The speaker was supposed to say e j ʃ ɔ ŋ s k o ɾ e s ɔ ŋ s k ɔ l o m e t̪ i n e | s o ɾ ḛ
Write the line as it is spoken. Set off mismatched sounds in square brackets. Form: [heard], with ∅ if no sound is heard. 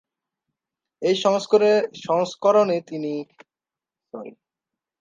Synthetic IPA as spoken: e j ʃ ɔ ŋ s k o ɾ e [ʃ] ɔ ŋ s k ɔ [ɾ] o [n] e t̪ i n [i] | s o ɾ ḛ